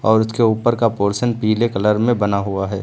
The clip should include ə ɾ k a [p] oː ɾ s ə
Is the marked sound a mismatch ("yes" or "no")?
no